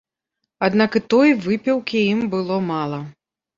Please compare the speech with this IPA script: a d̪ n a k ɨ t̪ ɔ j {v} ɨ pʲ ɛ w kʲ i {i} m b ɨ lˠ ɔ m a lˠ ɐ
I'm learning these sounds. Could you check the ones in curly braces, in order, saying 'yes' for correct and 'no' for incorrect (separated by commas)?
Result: yes, yes